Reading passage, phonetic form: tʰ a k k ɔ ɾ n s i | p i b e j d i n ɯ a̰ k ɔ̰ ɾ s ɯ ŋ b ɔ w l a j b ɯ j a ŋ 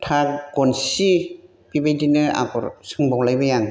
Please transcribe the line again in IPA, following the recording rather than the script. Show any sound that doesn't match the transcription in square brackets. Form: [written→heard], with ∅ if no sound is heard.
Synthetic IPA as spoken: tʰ a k [k→ɡ] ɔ [ɾ→∅] n s i | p i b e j d i n ɯ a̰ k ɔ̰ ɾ s ɯ ŋ b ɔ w l a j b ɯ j a ŋ

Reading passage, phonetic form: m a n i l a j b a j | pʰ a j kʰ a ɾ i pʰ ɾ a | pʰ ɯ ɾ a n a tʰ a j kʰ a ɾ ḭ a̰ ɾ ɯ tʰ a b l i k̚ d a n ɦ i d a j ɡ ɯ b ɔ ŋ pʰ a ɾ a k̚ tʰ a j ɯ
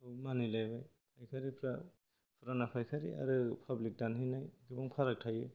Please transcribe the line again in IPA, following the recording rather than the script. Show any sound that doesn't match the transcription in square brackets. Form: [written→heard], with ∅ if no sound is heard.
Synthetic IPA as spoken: m a n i l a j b a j | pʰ a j kʰ a ɾ i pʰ ɾ a | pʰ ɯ ɾ a n a [tʰ→pʰ] a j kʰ a ɾ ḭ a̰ ɾ ɯ [tʰ→pʰ] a b l i k̚ d a n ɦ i [d→n] a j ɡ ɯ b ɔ ŋ pʰ a ɾ a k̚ tʰ a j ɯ

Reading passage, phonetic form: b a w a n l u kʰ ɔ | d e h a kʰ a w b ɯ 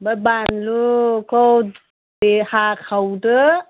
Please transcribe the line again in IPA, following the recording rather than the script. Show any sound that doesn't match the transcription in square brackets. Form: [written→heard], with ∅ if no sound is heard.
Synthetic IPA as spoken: b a [w→b] a n l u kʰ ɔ | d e h a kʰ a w [b→d] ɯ

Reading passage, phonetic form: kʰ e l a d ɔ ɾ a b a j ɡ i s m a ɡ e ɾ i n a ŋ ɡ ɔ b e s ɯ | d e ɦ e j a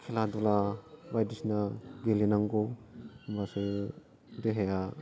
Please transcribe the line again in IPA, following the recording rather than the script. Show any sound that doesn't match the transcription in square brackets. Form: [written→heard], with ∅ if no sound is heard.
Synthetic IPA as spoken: kʰ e l a d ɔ [ɾ→l] a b a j [ɡ→d] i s [m→n] a ɡ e [ɾ→l] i n a ŋ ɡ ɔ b [e→a] s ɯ | d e ɦ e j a

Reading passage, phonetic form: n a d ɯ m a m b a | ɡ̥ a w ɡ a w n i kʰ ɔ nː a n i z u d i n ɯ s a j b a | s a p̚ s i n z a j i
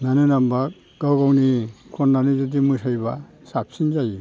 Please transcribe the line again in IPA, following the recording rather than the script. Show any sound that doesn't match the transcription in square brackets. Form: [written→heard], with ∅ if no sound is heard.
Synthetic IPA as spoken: n a [d→n] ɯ [m→n] a m b a | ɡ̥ a w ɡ a w n i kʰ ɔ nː a n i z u d i [n→m] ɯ s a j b a | s a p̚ s i n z a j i

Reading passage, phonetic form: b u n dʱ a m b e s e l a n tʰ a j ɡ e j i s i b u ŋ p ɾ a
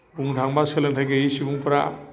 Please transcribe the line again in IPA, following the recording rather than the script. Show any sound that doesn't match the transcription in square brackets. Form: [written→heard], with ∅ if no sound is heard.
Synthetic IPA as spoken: b u [n→ŋ] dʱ a [m→ŋ] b [e→a] s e l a n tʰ a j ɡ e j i s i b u ŋ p ɾ a

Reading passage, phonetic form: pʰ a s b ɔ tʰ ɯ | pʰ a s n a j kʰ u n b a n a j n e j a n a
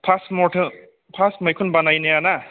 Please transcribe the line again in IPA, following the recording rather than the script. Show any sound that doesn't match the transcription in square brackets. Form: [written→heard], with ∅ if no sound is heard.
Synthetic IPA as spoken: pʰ a s [b→m] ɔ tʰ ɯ | pʰ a s [n→m] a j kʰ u n b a n a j n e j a n a

